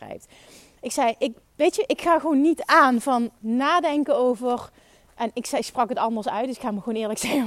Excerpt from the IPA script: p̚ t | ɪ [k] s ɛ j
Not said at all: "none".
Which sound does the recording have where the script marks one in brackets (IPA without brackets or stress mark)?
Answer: k